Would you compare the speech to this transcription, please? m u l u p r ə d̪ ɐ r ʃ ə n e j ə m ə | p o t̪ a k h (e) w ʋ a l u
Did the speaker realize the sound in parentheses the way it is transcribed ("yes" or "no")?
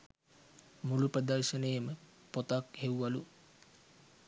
yes